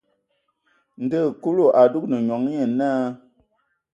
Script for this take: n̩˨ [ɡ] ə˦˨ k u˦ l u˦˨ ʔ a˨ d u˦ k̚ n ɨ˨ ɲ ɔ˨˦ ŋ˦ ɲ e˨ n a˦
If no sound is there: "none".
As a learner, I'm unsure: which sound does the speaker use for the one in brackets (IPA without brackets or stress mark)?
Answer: d